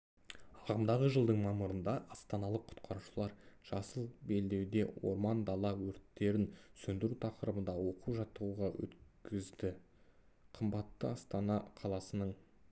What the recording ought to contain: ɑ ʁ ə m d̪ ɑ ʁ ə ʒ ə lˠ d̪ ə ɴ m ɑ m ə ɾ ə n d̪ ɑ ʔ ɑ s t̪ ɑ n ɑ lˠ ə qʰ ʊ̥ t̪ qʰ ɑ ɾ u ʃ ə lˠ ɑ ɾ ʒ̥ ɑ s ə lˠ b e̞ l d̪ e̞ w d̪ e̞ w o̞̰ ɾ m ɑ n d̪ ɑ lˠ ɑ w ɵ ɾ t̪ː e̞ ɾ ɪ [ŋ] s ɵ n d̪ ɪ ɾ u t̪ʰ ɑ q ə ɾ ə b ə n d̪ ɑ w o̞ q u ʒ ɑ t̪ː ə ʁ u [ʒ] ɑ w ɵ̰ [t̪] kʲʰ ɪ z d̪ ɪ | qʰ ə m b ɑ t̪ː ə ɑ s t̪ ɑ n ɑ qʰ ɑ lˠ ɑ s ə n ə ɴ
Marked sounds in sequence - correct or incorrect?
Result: incorrect: n, incorrect: ʁ, correct

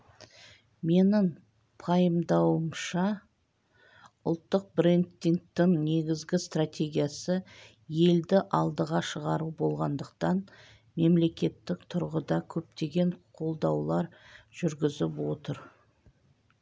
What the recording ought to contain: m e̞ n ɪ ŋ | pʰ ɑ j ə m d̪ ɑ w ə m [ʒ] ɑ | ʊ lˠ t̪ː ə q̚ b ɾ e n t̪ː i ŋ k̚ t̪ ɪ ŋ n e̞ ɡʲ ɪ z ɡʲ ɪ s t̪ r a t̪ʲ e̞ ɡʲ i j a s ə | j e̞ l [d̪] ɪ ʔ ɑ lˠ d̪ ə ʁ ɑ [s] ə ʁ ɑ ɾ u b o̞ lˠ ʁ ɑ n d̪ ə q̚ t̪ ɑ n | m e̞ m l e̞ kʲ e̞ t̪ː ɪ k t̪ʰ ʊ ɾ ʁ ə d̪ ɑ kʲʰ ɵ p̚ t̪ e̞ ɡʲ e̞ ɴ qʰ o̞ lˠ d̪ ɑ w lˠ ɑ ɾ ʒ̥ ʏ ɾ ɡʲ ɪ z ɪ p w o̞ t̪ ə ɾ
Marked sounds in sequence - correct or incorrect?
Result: incorrect: ʃ, correct, incorrect: ʃ

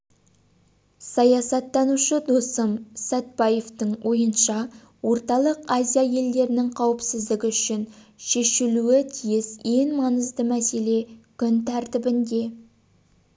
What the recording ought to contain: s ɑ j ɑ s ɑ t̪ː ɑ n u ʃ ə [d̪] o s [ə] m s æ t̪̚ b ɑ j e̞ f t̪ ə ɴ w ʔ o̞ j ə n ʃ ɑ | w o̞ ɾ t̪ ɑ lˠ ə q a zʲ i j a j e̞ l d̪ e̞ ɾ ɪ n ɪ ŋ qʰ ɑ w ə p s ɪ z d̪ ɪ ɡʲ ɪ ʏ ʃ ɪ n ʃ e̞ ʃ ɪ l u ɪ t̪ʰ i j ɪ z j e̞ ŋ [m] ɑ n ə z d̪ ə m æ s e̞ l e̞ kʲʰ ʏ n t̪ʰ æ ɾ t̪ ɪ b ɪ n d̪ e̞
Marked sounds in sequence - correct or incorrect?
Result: correct, correct, correct

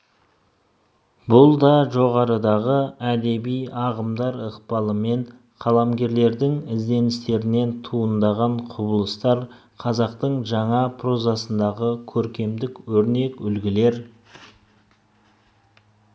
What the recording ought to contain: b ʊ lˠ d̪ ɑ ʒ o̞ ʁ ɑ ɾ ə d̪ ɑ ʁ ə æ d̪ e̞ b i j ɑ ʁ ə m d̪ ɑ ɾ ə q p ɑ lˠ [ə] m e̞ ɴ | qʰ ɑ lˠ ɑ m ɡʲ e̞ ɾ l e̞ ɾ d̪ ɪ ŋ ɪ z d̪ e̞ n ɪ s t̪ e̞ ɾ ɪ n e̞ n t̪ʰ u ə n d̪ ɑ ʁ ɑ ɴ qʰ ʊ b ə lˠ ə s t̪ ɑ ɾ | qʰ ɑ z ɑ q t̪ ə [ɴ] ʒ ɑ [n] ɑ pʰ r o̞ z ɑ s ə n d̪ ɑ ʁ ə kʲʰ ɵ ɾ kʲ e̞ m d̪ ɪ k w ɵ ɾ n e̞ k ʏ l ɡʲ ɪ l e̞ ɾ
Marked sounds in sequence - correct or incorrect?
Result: correct, correct, incorrect: ɴ

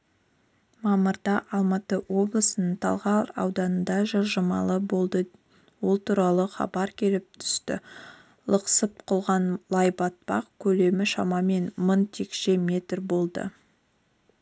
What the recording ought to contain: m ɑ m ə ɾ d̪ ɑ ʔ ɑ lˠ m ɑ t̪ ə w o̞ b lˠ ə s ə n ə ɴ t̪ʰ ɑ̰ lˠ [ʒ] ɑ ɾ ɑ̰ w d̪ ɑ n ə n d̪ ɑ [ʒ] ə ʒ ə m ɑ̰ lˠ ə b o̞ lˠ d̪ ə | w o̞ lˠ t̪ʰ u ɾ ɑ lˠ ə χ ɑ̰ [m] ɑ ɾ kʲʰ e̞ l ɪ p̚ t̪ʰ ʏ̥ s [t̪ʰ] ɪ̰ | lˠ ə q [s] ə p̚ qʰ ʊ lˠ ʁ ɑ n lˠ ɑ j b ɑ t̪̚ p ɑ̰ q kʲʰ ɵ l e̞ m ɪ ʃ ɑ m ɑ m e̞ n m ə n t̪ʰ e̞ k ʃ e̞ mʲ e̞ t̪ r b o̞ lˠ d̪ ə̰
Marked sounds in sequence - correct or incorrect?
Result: incorrect: ʁ, correct, incorrect: b, incorrect: t̪, correct

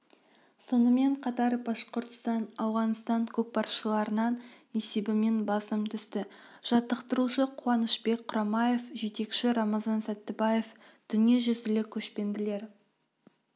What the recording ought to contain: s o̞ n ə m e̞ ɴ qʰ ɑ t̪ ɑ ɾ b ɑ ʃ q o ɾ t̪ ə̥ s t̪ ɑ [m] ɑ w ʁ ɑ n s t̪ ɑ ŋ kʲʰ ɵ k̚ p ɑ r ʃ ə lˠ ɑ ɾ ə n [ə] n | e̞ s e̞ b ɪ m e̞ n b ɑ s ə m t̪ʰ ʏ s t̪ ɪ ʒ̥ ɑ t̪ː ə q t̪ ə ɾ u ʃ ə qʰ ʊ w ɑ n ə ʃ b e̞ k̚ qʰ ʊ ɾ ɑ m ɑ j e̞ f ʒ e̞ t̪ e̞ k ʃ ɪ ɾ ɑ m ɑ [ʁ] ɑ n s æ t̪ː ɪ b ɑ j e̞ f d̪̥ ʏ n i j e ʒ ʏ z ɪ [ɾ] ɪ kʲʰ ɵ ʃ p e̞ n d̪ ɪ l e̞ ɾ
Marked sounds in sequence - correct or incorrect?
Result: incorrect: n, incorrect: ɑ, incorrect: z, incorrect: l

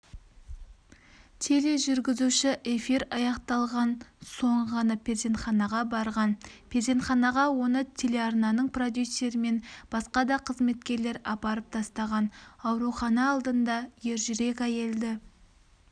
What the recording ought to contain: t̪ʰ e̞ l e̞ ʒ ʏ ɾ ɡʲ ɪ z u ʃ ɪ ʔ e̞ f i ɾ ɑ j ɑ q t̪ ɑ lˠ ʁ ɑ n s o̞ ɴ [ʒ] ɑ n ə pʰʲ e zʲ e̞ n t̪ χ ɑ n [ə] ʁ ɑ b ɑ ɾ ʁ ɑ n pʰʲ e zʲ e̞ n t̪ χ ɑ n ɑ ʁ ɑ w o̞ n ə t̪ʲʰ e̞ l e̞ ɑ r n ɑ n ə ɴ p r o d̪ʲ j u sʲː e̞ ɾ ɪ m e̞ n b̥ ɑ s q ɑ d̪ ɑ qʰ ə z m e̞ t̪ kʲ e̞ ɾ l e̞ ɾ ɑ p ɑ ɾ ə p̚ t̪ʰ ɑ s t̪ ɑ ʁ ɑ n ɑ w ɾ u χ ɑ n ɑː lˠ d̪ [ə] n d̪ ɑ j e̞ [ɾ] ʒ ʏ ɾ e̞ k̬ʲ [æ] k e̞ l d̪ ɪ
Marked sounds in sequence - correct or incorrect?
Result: incorrect: ʁ, incorrect: ɑ, correct, correct, correct

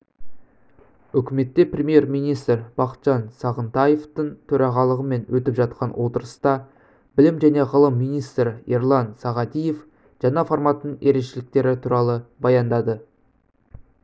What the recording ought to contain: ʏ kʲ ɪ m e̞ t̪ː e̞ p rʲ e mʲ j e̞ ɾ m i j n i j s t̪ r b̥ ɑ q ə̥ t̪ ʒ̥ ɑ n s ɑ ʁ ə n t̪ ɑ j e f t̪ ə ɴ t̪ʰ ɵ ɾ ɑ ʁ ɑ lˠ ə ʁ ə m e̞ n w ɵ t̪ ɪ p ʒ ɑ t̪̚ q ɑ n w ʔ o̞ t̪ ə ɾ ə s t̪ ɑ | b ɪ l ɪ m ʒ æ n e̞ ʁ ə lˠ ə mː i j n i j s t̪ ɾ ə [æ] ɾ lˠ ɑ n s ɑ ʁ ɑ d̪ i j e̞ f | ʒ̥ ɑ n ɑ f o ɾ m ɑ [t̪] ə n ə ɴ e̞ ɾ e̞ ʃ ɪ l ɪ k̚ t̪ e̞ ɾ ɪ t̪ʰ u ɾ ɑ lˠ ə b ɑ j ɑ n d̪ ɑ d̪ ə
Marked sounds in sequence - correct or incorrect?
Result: incorrect: e, correct

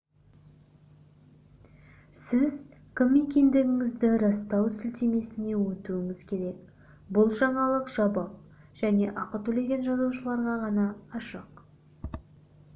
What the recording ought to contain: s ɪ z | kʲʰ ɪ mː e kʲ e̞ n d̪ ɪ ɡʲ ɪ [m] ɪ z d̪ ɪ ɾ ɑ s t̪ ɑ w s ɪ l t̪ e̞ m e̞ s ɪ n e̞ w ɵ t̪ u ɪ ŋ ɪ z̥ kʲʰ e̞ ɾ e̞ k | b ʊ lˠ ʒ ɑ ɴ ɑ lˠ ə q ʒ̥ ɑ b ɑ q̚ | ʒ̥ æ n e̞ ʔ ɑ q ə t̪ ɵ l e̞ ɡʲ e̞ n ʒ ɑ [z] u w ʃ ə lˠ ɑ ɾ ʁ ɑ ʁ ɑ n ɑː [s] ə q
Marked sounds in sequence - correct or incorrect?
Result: incorrect: ŋ, correct, incorrect: ʃ

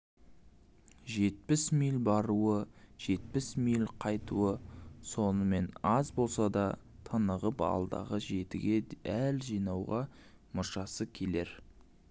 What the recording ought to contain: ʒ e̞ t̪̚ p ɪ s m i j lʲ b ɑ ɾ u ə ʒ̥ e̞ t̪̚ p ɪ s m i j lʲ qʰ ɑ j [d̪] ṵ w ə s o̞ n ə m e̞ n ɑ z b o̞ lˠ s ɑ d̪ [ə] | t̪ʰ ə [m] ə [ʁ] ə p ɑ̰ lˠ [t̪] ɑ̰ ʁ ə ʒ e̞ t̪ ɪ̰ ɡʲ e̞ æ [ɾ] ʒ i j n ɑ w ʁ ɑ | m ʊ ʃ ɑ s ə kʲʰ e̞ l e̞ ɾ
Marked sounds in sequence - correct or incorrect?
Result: incorrect: t̪, incorrect: ɑ, incorrect: n, correct, incorrect: d̪, incorrect: l

